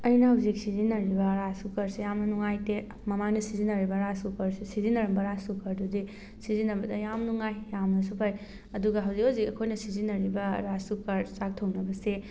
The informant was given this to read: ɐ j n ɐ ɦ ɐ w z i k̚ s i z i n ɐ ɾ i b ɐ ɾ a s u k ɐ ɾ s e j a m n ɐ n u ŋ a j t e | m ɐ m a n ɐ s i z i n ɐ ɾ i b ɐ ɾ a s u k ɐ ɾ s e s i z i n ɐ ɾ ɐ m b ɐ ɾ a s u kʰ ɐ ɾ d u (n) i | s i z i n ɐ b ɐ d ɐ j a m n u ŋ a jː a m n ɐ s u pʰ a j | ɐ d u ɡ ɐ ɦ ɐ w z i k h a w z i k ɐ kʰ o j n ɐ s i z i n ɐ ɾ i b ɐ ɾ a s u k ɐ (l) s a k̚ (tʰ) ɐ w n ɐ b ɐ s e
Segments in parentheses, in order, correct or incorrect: incorrect, incorrect, correct

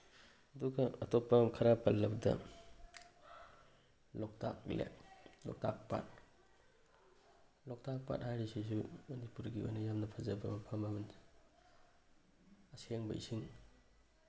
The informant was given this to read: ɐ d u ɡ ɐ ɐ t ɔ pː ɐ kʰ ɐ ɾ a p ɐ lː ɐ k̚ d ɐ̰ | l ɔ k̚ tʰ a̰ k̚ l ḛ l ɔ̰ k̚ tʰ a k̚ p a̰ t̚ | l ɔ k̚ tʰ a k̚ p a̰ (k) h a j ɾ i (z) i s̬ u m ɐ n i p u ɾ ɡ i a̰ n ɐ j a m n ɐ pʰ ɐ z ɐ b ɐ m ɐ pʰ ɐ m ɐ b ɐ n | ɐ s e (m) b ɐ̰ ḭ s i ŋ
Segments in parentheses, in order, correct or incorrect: incorrect, incorrect, incorrect

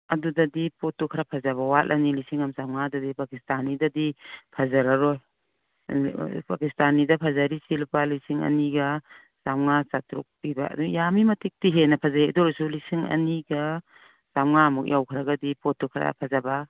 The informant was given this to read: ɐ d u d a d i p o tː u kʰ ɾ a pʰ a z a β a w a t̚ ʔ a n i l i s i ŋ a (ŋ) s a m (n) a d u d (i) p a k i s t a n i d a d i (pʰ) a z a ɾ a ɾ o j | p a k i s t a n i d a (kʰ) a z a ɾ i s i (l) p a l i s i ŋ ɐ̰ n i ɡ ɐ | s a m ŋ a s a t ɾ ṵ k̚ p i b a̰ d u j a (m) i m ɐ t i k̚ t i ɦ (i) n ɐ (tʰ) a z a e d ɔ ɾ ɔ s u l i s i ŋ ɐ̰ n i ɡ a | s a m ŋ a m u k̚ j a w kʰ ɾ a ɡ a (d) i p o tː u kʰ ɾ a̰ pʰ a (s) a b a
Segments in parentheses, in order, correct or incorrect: incorrect, incorrect, correct, correct, incorrect, correct, correct, incorrect, incorrect, correct, incorrect

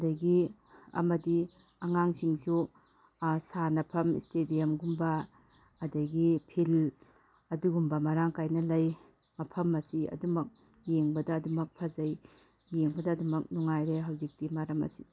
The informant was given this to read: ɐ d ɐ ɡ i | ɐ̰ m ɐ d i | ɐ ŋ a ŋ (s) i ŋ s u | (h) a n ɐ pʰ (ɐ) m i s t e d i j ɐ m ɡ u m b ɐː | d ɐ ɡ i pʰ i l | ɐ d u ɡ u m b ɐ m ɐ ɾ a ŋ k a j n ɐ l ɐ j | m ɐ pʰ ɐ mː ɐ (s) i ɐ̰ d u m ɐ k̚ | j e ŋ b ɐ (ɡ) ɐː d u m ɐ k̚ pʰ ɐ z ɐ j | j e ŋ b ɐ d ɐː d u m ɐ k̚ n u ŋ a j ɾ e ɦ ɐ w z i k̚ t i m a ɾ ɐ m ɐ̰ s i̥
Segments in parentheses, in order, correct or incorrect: correct, incorrect, correct, correct, incorrect

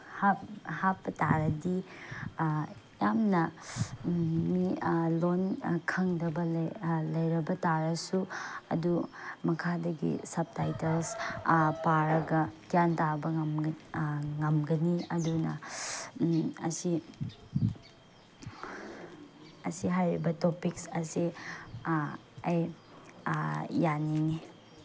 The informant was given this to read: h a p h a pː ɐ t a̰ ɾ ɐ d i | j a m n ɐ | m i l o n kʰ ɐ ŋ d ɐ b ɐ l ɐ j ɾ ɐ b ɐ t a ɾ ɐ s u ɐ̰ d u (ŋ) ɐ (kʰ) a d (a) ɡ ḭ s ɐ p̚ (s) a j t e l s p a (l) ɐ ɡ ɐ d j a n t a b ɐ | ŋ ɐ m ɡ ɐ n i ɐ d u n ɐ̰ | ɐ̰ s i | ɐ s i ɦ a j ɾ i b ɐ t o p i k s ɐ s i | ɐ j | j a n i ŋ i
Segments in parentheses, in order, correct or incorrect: incorrect, correct, incorrect, incorrect, incorrect

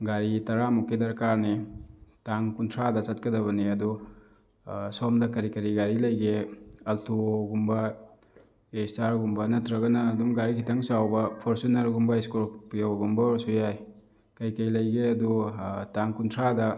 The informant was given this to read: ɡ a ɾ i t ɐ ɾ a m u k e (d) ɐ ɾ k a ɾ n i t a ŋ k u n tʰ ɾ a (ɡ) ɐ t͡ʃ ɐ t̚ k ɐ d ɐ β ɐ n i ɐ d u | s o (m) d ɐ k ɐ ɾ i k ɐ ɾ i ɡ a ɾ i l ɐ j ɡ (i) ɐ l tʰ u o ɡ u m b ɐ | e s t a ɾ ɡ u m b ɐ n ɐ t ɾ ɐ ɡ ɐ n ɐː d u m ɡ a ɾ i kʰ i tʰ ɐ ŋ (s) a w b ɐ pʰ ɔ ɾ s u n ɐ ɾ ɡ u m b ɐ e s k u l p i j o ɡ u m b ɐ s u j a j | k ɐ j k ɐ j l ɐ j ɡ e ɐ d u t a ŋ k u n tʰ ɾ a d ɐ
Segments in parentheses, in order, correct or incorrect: correct, incorrect, correct, incorrect, correct

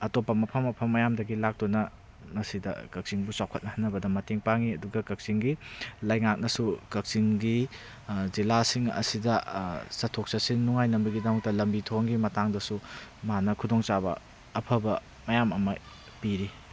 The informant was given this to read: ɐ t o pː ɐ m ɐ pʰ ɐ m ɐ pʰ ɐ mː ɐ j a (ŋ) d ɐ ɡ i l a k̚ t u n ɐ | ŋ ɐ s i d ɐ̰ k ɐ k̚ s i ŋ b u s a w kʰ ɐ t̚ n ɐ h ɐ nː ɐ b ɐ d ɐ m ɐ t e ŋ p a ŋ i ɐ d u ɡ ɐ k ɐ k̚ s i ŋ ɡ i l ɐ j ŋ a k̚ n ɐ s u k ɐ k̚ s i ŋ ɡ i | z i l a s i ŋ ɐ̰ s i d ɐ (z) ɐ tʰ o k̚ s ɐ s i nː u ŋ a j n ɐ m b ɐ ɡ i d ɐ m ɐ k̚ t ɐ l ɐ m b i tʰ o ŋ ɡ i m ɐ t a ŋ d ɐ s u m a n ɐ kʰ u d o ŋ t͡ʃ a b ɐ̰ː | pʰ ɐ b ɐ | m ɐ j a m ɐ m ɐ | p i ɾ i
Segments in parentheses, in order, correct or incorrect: incorrect, incorrect

